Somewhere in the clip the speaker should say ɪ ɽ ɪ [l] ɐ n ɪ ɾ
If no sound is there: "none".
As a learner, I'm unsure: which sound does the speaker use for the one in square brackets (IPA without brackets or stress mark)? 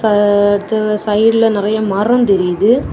l